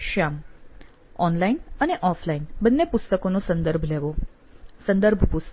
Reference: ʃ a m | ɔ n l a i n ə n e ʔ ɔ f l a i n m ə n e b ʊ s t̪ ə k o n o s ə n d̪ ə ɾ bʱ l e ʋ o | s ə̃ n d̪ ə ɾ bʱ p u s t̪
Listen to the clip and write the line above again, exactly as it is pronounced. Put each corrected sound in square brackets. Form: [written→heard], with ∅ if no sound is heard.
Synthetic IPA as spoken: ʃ a m | ɔ n l a i n ə n e ʔ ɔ f l a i n [m→b] ə [n→nː] e [b→p] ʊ s t̪ ə k o n o s ə n d̪ ə ɾ bʱ l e ʋ o | s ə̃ n d̪ ə ɾ bʱ p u s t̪

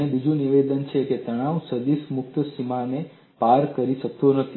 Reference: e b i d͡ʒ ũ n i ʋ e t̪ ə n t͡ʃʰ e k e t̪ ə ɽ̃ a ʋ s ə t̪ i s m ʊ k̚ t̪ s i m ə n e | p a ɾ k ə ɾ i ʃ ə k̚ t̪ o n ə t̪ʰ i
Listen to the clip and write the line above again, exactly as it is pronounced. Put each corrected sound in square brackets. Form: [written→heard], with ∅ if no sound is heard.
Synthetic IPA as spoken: e b i d͡ʒ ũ n i ʋ e [t̪→d̪] ə n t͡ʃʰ e k e t̪ ə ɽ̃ a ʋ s ə [t̪→d̪] i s m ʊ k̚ t̪ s i m [ə→a] n e | p a ɾ k ə ɾ i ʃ ə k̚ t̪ o n ə t̪ʰ i

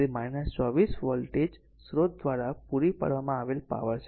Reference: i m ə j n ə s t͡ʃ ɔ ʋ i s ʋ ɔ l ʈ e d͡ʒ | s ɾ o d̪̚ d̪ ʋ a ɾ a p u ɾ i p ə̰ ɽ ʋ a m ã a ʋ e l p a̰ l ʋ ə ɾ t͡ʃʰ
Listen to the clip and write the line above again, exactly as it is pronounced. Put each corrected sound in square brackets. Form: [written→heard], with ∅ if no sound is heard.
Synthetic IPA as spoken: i m [ə→a] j n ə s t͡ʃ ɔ ʋ i s ʋ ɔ l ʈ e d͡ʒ | s ɾ o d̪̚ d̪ ʋ a ɾ a p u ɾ i p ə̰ ɽ ʋ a m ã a ʋ e l p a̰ [l→∅] ʋ ə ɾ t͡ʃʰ

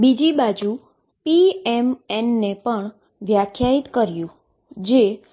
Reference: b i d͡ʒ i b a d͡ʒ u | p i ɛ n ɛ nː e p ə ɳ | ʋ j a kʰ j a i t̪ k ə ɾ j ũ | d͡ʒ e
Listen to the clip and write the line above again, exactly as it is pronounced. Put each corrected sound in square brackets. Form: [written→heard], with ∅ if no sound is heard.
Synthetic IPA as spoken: b i d͡ʒ i b a d͡ʒ u | p i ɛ [n→m] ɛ nː e p ə ɳ | ʋ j a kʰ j a i t̪ k ə ɾ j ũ | d͡ʒ e

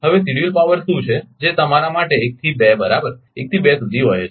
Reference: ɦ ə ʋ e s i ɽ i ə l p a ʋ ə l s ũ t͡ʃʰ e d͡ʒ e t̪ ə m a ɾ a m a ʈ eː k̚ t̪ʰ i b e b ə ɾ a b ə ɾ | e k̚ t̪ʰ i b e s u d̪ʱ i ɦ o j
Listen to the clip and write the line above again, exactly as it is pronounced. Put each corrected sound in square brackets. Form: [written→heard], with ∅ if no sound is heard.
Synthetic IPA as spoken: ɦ ə ʋ e s i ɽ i ə l p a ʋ ə [l→ɾ] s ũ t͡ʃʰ e d͡ʒ e t̪ ə m a ɾ a m a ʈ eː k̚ t̪ʰ i b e b ə ɾ a b ə ɾ | e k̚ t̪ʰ i b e s u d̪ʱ i ɦ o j

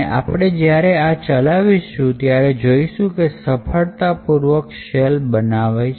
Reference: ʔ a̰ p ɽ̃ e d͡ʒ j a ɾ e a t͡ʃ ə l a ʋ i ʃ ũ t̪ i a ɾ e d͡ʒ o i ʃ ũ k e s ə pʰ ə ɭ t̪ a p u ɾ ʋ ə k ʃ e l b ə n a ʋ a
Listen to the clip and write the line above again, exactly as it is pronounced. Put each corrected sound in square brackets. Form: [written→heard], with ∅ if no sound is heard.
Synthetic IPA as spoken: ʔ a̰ p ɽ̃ e d͡ʒ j a ɾ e a t͡ʃ ə l a ʋ i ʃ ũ t̪ [i→j] a ɾ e d͡ʒ o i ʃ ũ k e s ə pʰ ə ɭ t̪ a p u ɾ ʋ ə k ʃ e l b ə n a ʋ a

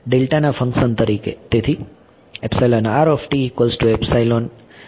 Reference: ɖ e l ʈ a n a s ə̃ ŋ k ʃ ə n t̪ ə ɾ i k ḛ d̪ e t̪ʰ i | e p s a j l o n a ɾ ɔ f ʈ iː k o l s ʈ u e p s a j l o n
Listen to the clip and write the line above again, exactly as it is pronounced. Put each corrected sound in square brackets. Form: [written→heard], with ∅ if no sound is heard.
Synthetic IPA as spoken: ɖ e l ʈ a n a [s→f] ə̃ ŋ k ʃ ə n t̪ ə ɾ i k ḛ [d̪→t̪] e t̪ʰ i | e p s a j l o n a ɾ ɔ f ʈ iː k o l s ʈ u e p s a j l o n

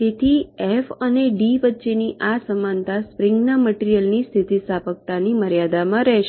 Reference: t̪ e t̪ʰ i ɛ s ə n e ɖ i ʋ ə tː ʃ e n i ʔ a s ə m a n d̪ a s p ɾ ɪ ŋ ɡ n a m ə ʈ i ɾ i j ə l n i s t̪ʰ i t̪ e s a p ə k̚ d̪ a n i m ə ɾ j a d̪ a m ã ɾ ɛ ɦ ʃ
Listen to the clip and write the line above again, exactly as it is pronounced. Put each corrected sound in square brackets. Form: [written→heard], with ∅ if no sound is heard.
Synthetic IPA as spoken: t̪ e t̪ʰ i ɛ [s→f] ə n e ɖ i ʋ ə tː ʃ e n i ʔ a s ə m a n [d̪→t̪] a s p ɾ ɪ ŋ ɡ n a m ə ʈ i ɾ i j ə l n i s t̪ʰ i t̪ [e→i] s a p ə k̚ [d̪→t̪] a n i m ə ɾ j a d̪ a m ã ɾ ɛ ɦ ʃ

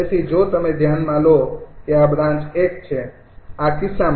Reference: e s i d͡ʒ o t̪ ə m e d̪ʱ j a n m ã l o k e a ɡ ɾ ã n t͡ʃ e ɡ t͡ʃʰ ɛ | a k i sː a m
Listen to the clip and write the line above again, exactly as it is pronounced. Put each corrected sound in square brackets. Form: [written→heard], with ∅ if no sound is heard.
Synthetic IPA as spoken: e s i d͡ʒ o t̪ ə m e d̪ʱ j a n m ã l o k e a [ɡ→b] ɾ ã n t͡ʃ e [ɡ→k] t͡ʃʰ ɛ | a k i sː a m

